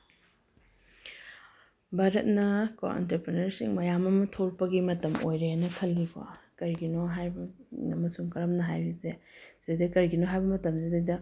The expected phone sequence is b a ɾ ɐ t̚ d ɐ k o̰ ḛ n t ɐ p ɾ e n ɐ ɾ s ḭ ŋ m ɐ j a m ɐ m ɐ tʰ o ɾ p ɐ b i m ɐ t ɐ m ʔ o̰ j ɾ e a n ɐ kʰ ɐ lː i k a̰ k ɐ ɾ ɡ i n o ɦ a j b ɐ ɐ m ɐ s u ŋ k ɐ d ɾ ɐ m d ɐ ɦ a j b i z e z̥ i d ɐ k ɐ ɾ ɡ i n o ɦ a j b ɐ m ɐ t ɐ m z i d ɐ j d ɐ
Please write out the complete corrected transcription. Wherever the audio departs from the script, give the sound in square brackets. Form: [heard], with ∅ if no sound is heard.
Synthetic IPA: b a ɾ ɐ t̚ [n] ɐ k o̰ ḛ n t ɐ p ɾ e n ɐ ɾ s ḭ ŋ m ɐ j a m ɐ m ɐ tʰ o ɾ p ɐ [ɡ] i m ɐ t ɐ m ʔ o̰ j ɾ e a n ɐ kʰ ɐ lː i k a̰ k ɐ ɾ ɡ i n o ɦ a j b ɐ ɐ m ɐ s u ŋ k ɐ [∅] ɾ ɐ m [n] ɐ ɦ a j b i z e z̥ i d ɐ k ɐ ɾ ɡ i n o ɦ a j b ɐ m ɐ t ɐ m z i d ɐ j d ɐ